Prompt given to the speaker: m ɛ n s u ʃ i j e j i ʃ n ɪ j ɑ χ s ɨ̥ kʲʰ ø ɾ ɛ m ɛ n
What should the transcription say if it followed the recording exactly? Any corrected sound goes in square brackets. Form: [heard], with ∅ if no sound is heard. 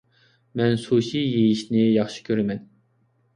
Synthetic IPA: m ɛ n s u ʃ i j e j i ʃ n ɪ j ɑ χ [ʃ] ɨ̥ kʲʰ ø ɾ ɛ m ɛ n